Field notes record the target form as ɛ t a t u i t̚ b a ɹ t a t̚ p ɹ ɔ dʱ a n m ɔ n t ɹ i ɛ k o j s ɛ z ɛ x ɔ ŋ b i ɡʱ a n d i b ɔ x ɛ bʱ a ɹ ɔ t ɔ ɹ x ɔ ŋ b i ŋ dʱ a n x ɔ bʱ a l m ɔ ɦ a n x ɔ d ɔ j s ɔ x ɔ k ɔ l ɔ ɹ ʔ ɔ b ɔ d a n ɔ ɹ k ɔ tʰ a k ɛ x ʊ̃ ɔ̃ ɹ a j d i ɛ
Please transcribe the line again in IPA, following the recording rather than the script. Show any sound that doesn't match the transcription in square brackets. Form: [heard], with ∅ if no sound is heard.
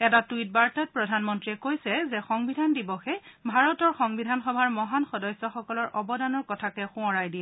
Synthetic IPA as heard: ɛ t a t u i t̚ b a ɹ t a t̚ p ɹ ɔ dʱ a n m ɔ n t ɹ i ɛ k o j s ɛ z ɛ x ɔ ŋ b i [dʱ] a n d i b ɔ x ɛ bʱ a ɹ ɔ t ɔ ɹ x ɔ ŋ b i [∅] dʱ a n x ɔ bʱ a [ɹ] m ɔ ɦ a n x ɔ d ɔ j s ɔ x ɔ k ɔ l ɔ ɹ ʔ ɔ b ɔ d a n ɔ ɹ k ɔ tʰ a k ɛ x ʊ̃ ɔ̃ ɹ a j d i ɛ